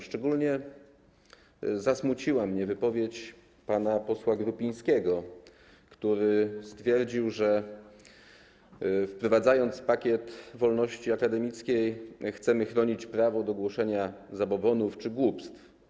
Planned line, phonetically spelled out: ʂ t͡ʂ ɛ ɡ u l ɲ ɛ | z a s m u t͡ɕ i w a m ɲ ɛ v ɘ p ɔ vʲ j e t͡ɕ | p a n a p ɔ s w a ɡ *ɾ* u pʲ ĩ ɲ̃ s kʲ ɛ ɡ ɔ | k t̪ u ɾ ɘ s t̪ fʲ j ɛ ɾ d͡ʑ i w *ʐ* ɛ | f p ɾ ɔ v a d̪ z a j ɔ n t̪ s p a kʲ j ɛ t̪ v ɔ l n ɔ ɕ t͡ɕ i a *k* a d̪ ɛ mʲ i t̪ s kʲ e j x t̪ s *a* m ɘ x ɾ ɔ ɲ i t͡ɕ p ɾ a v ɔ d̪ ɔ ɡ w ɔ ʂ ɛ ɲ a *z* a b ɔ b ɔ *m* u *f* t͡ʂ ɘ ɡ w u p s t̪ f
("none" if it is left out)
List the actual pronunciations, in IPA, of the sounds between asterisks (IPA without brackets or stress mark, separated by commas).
ɾ, ʐ, k, ɛ, z, n, f